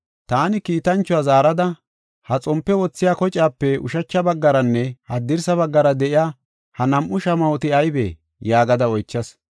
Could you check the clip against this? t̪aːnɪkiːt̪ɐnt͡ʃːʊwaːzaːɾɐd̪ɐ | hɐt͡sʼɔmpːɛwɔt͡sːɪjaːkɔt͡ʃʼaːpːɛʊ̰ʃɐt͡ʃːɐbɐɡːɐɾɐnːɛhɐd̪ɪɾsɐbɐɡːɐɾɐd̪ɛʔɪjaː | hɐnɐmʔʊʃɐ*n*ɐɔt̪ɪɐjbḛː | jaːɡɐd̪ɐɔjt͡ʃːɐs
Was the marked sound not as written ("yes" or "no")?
yes